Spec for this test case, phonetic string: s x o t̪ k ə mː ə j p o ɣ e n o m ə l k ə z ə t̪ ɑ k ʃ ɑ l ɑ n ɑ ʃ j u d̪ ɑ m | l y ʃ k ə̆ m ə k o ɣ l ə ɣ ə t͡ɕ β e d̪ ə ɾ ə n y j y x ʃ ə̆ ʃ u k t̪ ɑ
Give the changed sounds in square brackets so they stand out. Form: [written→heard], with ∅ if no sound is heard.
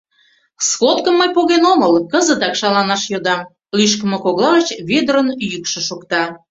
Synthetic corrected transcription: s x o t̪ k ə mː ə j p o ɣ e n o m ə l k ə z ə t̪ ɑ k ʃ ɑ l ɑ n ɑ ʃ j [u→o] d̪ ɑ m | l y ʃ k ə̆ m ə k o ɣ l [ə→ɑ] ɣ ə t͡ɕ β e d̪ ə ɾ ə n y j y [x→k] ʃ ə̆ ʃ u k t̪ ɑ